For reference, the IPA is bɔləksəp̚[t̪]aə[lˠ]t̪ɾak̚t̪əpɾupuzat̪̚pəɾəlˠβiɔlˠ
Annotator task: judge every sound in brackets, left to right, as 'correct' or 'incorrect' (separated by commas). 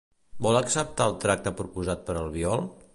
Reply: correct, correct